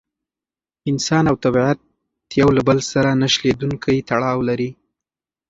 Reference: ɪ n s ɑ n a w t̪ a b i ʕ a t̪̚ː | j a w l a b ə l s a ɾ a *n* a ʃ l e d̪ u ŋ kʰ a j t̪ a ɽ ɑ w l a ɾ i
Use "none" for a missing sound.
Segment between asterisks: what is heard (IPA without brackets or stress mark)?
n